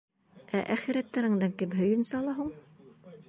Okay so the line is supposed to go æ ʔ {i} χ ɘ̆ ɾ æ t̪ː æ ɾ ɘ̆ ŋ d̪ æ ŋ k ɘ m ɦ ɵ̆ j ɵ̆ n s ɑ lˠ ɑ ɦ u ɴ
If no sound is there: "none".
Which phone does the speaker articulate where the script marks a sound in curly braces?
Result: æ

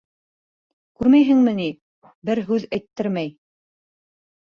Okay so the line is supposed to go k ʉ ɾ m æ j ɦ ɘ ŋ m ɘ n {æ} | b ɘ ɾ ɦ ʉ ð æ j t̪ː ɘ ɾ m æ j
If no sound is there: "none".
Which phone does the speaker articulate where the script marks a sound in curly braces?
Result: i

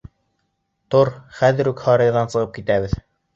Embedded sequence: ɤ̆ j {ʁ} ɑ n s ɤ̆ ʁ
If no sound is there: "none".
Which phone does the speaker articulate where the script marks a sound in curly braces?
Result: ð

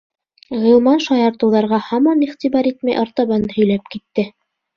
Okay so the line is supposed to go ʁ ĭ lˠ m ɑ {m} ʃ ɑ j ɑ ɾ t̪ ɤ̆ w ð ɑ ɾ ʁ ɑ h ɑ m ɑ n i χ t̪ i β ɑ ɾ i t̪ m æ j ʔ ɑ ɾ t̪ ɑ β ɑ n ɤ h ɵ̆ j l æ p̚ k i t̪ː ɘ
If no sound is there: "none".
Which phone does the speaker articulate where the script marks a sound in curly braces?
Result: n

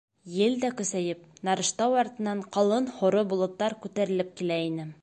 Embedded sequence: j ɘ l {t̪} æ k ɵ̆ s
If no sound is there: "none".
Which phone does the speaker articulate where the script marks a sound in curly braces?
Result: d̪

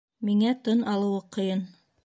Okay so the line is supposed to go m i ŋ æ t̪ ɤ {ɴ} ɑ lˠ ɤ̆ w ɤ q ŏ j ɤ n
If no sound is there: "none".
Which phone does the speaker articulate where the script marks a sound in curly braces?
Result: n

